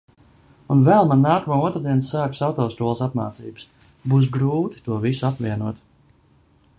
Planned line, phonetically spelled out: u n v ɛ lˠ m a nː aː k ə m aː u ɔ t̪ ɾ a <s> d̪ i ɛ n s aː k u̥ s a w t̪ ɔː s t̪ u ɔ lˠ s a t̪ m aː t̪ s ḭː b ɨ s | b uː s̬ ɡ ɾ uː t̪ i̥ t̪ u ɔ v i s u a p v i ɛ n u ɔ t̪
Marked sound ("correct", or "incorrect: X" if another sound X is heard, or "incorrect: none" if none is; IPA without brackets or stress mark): incorrect: none